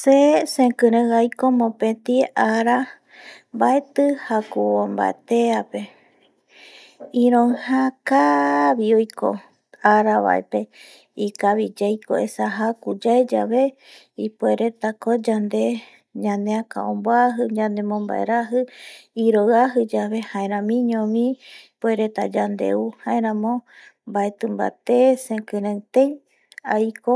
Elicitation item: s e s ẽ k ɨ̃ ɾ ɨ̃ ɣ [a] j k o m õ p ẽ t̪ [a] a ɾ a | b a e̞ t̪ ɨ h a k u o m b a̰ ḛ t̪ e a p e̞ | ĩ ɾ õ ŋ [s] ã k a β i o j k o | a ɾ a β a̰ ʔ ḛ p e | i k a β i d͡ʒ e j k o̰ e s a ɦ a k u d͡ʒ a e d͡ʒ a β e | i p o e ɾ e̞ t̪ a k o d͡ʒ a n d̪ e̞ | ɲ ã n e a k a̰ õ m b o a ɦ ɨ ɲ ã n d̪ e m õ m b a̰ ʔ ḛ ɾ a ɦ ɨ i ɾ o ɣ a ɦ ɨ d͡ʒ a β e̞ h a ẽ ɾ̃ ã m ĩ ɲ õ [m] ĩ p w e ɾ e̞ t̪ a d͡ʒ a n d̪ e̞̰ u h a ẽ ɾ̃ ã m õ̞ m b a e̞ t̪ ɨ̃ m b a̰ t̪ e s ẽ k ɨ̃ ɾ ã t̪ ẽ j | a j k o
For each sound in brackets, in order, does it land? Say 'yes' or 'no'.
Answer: yes, no, no, yes

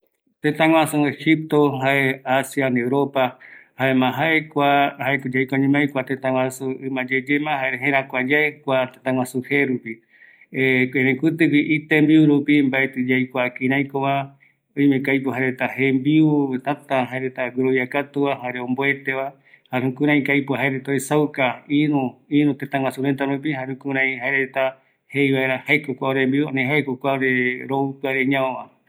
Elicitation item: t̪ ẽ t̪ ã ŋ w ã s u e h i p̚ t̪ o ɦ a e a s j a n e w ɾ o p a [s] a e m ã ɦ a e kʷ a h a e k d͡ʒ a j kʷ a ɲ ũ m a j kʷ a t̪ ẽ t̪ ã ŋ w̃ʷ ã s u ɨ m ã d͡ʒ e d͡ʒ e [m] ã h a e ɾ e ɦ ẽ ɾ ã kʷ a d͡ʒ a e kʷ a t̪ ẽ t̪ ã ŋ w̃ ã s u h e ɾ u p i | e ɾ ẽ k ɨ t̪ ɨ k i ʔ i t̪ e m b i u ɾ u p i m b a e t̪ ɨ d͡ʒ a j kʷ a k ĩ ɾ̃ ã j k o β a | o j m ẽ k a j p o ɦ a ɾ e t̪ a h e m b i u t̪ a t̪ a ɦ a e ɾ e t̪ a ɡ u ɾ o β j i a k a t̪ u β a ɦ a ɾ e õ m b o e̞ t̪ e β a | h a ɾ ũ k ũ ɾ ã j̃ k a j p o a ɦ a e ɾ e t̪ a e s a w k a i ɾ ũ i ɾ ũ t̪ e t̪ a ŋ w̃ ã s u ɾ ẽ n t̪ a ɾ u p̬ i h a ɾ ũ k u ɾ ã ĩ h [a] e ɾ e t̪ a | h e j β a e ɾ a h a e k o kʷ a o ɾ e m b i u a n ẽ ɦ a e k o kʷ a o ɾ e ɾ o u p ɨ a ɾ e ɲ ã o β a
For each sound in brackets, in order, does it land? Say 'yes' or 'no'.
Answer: no, yes, yes

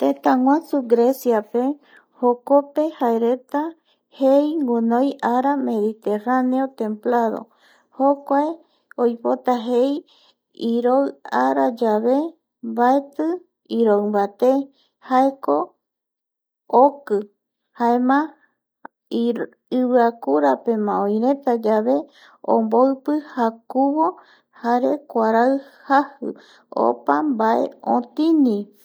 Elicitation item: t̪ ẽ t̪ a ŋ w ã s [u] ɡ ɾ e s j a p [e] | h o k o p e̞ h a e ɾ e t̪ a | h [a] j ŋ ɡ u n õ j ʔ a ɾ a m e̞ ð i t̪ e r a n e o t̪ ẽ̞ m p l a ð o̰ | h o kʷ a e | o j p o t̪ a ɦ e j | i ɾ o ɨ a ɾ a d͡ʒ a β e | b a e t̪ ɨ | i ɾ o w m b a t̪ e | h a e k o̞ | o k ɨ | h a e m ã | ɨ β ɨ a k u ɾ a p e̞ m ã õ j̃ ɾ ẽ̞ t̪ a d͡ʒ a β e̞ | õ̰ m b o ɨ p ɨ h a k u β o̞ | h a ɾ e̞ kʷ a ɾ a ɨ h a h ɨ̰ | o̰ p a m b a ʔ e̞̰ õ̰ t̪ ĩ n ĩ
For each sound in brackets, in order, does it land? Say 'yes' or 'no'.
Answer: yes, yes, no

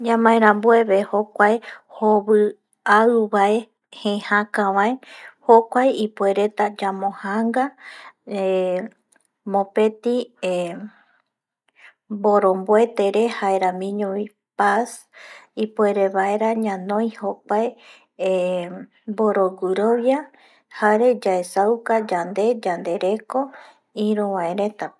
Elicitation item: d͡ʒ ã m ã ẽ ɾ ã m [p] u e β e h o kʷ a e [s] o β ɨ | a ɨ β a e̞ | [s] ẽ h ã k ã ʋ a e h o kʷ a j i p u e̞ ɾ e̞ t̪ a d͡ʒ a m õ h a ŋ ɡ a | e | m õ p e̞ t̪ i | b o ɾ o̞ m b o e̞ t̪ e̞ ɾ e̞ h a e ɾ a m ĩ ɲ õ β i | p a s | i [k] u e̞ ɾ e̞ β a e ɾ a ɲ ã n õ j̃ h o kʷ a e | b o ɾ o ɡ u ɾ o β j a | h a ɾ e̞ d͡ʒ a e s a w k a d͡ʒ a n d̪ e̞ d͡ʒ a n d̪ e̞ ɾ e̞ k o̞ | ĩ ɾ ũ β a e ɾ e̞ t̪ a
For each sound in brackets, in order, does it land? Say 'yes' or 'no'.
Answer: no, no, no, no

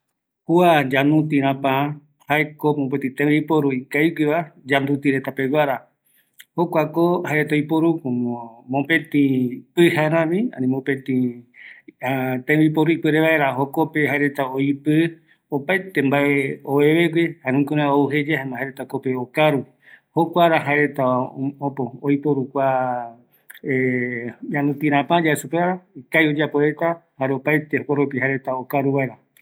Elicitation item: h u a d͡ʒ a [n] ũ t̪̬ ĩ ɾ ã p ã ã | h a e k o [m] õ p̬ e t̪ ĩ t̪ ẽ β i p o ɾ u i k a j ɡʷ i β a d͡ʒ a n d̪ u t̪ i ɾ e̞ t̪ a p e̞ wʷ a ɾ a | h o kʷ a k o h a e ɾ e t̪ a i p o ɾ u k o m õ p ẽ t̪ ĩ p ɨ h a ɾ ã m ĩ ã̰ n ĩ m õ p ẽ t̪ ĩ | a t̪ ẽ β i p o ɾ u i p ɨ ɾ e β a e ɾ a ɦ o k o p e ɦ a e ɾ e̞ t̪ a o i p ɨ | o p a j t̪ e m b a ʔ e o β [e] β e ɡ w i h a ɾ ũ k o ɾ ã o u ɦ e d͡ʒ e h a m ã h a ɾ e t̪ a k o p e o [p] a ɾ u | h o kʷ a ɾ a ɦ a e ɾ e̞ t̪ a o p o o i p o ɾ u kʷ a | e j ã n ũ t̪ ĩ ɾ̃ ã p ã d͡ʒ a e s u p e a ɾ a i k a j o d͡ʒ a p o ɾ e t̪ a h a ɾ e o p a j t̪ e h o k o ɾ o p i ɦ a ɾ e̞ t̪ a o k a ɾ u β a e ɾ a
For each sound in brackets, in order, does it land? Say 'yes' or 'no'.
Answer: yes, yes, yes, no

